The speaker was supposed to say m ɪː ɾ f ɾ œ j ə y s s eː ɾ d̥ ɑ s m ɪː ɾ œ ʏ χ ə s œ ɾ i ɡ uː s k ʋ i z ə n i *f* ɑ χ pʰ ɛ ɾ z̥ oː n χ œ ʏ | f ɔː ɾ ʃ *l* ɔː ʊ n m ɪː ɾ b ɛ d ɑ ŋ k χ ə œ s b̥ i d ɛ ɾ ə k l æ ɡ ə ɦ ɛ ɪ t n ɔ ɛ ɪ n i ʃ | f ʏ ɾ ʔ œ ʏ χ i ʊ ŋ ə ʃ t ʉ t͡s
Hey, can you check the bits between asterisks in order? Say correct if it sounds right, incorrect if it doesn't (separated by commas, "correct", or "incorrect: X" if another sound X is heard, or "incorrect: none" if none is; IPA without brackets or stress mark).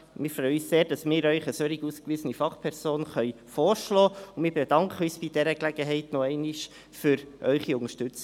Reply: correct, correct